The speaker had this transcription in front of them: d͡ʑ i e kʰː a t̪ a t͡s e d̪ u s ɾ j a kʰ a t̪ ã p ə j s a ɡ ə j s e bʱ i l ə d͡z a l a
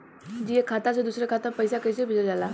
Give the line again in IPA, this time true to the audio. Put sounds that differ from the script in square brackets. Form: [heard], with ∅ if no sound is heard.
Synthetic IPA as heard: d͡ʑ i e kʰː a t̪ a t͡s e d̪ u s ɾ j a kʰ a t̪ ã p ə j s a [k] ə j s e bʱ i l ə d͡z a l a